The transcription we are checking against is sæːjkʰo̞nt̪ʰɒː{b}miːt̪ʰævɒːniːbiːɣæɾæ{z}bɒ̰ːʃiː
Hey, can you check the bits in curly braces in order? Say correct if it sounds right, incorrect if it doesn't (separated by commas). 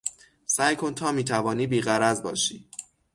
incorrect, correct